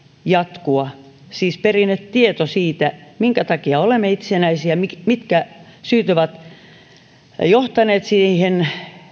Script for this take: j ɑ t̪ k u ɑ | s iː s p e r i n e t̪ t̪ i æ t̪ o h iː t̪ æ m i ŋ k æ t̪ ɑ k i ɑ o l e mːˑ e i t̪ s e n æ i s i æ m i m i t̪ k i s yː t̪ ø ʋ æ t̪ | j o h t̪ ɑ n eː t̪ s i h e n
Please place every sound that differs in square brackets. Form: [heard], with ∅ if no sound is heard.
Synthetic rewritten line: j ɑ t̪ k u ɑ | s iː s p e r i n e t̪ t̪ i [e] t̪ o [s] iː t̪ æ m i ŋ k æ t̪ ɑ k i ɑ o l e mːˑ e i t̪ s e n æ i s i æ m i m i t̪ k [æ] s yː t̪ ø ʋ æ t̪ | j o h t̪ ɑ n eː t̪ s i h e n